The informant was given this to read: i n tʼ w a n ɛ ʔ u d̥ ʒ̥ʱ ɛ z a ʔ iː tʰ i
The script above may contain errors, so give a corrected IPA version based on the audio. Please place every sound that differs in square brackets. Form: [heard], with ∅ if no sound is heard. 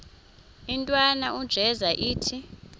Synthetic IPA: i n tʼ w a n [a] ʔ u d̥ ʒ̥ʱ ɛ z a ʔ iː tʰ i